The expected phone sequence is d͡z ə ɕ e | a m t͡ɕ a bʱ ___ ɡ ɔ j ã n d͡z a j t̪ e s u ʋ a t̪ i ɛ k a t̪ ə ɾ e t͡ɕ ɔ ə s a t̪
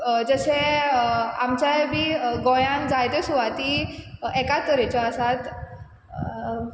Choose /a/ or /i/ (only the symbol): i